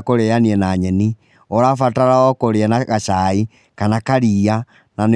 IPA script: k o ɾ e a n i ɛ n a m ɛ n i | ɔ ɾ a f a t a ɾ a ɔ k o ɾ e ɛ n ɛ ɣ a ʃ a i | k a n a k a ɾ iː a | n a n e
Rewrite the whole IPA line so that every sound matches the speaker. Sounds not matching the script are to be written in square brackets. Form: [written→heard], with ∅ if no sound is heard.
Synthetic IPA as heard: k o ɾ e a n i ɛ n a [m→ɲ] ɛ n i | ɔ ɾ a f a t a ɾ a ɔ k o ɾ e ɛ n [ɛ→a] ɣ a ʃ a i | k a n a k a ɾ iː a | n a n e

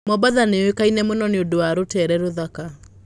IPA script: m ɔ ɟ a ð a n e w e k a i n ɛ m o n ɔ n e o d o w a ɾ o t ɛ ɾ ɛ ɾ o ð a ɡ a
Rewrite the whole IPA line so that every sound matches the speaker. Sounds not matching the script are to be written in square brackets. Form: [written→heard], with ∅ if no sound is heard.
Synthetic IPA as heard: m ɔ [ɟ→b] a ð a n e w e k a i n ɛ m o n ɔ n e o d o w a ɾ o t ɛ ɾ ɛ ɾ o ð a [ɡ→k] a

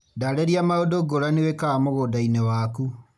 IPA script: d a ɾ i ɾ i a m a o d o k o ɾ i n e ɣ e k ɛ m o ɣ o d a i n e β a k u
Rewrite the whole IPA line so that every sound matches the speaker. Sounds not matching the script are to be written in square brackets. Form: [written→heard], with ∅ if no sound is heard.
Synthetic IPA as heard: d a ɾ [i→e] ɾ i a m a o d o [k→ɡ] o ɾ [i→a] n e [ɣ→w] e k [ɛ→a] m o ɣ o d a i n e [β→w] a k u

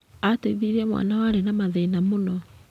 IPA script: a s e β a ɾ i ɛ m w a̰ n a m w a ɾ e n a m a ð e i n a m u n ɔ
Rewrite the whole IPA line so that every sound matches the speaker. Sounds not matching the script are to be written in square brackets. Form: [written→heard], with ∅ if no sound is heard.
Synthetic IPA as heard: a [s→t] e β [a→i] ɾ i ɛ m w a̰ n a [m→∅] w a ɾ e n a m a ð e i n a m [u→o] n ɔ

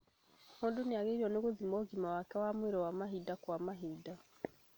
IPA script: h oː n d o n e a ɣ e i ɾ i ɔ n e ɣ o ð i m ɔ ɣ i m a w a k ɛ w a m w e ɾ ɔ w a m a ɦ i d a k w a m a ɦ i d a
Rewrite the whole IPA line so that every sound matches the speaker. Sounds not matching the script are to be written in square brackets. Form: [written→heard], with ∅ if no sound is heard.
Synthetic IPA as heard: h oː n d o n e a ɣ e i ɾ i ɔ n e ɣ o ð i m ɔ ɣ i m a w a k ɛ w a m w e ɾ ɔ w a m a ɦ i d a k w a m a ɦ i d a

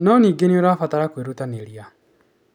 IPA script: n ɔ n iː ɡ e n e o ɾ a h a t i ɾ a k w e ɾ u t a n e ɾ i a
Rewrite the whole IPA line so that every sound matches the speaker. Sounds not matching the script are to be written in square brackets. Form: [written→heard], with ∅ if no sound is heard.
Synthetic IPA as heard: n ɔ n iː ɡ e n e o ɾ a [h→f] a t [i→a] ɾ a k w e ɾ u t a n e ɾ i a

